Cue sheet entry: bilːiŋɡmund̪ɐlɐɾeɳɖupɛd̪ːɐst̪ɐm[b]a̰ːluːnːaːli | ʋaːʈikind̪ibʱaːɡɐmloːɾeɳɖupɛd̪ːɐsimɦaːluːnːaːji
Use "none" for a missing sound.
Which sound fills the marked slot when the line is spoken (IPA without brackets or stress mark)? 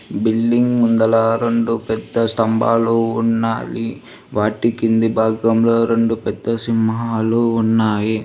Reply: b